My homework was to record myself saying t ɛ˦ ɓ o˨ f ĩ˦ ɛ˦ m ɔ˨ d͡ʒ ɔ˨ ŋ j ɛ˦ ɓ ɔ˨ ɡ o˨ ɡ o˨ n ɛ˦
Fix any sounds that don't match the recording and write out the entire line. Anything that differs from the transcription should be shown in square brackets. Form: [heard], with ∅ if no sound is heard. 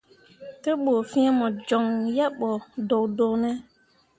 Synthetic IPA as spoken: t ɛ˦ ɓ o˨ f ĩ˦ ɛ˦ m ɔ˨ d͡ʒ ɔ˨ ŋ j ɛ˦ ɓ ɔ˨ [d] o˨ [d] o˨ n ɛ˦